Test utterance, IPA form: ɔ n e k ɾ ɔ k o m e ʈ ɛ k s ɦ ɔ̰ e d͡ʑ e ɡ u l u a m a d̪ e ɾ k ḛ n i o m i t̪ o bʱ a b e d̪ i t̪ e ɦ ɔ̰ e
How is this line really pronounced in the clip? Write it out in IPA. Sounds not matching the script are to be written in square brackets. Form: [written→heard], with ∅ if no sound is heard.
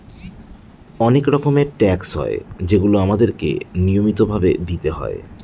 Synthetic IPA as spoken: ɔ n e k ɾ ɔ k o m e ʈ ɛ k s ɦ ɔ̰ e d͡ʑ e ɡ u l [u→o] a m a d̪ e ɾ k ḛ n i o m i t̪ o bʱ a b e d̪ i t̪ e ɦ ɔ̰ e